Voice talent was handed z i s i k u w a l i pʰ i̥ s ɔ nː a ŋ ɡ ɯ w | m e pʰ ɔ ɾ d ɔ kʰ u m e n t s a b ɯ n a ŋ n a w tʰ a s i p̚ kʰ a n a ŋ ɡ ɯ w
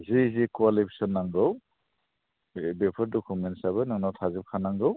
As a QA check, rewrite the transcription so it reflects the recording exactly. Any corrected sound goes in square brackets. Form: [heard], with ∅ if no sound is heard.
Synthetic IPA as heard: z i [z] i k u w a l i pʰ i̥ s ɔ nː a ŋ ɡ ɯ w | [b] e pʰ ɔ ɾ d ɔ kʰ u m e n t s a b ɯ n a ŋ n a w tʰ a [z] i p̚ kʰ a n a ŋ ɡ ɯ w